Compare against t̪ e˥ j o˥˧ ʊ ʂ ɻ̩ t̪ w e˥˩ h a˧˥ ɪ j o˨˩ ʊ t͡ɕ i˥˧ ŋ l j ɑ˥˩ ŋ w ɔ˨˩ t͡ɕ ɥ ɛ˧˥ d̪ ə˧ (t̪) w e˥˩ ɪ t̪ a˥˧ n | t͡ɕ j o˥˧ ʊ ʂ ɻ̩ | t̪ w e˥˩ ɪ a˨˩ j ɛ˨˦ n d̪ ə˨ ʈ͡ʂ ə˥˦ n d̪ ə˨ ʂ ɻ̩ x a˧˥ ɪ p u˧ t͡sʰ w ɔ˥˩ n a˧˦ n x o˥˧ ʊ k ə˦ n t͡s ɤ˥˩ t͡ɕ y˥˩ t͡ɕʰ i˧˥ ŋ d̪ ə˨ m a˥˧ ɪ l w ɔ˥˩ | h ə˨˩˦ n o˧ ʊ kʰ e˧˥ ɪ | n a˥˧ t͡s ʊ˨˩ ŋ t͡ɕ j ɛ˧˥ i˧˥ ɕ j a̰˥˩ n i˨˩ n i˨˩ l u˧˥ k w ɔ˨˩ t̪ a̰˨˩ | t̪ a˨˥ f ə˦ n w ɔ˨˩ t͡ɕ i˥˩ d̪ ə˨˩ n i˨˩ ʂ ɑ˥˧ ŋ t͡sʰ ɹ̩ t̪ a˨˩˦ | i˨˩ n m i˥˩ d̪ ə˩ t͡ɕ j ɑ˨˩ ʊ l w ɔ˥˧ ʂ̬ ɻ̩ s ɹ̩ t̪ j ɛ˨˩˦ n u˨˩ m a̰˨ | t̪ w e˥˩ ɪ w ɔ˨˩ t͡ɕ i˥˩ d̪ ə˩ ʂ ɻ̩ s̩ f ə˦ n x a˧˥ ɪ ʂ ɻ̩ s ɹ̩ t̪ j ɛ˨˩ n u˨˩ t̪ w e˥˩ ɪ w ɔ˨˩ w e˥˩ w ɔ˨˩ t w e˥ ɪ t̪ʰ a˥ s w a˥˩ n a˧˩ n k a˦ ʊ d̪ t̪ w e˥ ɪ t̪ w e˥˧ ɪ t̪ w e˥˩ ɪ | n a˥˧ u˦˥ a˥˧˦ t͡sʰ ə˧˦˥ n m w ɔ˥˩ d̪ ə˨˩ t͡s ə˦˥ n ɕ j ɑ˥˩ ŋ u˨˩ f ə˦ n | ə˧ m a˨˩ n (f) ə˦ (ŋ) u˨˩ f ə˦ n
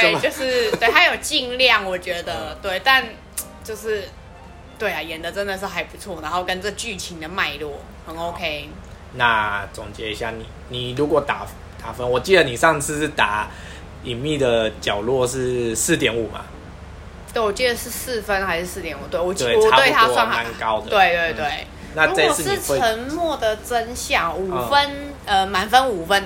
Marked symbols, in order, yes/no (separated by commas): yes, yes, no